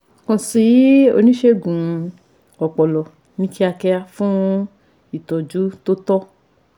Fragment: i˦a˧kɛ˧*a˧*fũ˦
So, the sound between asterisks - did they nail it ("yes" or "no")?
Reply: yes